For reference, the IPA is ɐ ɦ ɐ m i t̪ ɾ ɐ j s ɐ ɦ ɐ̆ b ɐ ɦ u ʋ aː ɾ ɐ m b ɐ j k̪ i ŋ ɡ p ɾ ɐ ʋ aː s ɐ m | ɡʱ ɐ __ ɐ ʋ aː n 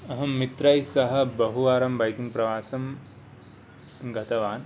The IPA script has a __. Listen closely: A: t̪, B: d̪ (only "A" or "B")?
A